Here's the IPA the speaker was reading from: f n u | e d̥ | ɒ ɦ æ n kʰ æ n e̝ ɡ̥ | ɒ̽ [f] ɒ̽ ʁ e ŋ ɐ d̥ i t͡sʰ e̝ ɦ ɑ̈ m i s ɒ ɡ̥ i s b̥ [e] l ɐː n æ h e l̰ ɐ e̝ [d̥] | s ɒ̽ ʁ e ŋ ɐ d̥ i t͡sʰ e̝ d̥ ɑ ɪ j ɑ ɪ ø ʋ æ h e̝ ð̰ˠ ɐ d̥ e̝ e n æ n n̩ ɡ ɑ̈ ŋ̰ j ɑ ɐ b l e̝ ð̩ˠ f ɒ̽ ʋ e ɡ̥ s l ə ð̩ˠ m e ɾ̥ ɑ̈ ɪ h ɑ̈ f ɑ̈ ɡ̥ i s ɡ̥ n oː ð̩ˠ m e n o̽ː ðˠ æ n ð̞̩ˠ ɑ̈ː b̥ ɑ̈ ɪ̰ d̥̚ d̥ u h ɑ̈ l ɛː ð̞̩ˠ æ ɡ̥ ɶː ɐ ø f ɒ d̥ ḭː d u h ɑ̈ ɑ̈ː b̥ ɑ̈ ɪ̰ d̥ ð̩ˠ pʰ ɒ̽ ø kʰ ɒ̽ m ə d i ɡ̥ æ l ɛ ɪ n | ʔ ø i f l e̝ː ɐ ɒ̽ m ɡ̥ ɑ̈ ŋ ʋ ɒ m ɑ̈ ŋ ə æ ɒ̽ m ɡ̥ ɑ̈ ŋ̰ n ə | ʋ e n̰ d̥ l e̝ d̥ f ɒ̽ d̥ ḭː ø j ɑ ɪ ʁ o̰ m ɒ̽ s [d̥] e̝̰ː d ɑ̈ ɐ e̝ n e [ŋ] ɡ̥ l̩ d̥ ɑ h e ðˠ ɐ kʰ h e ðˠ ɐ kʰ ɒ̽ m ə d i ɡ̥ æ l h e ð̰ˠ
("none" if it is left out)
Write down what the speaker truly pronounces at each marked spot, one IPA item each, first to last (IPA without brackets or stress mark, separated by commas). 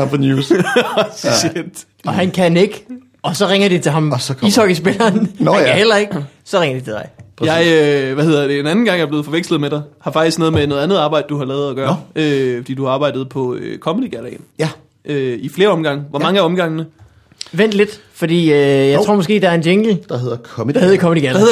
s, e, ɡ̥, ɡ̥, ŋ